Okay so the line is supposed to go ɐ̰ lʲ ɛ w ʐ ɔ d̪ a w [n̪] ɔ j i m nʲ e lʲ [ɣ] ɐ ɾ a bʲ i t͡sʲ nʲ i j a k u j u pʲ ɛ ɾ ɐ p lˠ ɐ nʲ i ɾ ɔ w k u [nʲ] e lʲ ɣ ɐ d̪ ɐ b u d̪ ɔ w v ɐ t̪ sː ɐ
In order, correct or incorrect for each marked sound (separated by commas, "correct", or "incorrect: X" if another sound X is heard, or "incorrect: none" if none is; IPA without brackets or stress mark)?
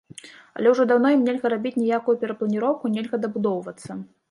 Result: correct, correct, correct